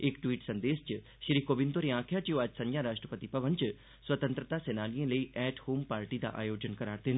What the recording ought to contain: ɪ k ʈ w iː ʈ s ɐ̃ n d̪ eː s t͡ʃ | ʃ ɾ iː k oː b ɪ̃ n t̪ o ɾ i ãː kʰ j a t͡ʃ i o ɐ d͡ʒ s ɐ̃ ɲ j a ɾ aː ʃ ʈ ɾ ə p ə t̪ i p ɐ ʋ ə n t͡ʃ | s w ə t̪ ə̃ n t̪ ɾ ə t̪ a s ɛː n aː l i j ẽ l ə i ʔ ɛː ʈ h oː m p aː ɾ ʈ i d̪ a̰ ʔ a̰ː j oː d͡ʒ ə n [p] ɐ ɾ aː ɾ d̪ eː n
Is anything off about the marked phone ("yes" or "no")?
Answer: yes